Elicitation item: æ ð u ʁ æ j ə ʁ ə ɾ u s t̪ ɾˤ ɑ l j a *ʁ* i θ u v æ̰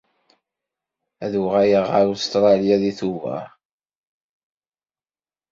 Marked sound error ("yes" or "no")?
yes